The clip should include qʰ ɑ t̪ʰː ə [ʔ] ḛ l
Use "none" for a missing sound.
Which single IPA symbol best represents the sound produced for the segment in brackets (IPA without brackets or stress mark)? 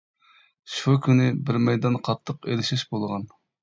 q